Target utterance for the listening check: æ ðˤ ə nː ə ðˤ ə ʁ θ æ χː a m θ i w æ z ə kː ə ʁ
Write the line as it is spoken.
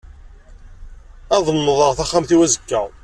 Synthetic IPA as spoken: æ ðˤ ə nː ə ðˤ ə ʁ θ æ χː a m θ i w æ z ə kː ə ʁ